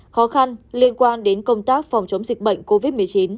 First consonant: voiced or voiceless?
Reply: voiceless